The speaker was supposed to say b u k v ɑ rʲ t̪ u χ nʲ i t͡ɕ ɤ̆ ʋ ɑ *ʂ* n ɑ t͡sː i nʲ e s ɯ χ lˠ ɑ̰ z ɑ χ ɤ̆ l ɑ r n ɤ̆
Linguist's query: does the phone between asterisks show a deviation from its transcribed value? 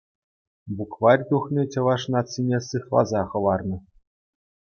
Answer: no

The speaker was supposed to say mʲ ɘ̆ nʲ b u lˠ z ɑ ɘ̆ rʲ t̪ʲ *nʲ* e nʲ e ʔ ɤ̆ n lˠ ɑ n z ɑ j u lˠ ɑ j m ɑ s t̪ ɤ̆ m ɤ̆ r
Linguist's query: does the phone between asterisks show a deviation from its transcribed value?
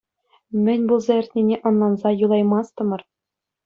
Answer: no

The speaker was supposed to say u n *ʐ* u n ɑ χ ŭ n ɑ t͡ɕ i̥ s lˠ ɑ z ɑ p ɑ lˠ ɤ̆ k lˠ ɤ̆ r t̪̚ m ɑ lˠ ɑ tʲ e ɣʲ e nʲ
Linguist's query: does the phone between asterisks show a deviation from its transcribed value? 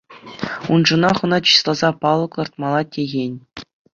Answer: no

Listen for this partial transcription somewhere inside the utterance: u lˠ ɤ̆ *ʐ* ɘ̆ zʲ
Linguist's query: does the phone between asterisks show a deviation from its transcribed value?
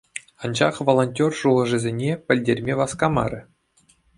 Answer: no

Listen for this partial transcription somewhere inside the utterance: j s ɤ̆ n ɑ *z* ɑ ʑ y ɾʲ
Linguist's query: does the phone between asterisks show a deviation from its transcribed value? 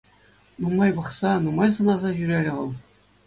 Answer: no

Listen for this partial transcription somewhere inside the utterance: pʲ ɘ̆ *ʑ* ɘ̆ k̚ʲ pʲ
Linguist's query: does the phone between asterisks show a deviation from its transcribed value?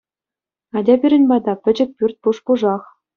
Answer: yes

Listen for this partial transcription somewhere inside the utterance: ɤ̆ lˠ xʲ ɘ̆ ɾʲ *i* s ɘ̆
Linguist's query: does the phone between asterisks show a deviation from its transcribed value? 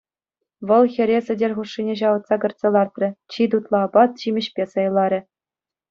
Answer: yes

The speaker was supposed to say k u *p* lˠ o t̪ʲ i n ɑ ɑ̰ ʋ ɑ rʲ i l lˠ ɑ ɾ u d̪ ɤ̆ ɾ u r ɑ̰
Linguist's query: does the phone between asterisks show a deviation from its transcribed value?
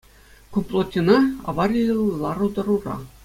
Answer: no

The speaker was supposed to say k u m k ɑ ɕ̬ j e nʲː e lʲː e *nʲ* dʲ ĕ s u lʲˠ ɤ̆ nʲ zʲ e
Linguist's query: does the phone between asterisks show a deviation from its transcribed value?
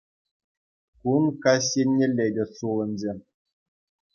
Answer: yes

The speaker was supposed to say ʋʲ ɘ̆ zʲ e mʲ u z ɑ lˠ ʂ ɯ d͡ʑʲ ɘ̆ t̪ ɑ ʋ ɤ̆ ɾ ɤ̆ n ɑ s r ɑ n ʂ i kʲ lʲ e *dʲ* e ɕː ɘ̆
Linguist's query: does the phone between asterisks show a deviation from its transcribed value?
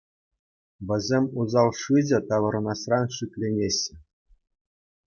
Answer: yes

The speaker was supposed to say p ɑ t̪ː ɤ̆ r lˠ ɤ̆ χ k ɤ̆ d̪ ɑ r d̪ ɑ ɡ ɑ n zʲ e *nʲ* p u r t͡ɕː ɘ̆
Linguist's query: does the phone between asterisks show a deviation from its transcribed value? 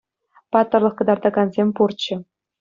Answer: yes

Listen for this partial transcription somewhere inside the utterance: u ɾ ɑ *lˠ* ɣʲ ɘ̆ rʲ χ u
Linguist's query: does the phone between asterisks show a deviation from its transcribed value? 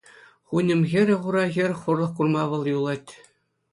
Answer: yes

